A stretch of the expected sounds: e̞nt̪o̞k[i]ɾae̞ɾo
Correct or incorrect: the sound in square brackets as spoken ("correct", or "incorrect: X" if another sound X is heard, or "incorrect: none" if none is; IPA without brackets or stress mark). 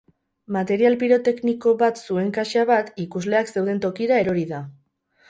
correct